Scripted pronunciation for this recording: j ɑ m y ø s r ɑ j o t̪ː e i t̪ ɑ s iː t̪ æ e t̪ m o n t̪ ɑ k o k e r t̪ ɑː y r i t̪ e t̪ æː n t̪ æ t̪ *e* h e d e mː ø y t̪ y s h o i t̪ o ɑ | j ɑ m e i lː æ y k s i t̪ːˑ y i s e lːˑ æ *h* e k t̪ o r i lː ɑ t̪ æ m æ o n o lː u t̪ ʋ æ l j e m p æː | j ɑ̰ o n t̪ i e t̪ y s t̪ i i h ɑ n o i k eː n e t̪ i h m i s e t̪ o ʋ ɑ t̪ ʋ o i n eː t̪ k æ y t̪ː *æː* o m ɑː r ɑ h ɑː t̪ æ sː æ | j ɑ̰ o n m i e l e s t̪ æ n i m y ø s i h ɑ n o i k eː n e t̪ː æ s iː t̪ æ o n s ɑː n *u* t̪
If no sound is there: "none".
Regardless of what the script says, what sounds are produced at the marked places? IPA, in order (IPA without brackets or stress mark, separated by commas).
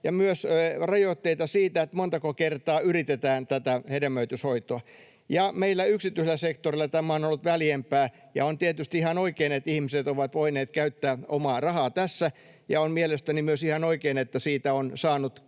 æ, s, æː, u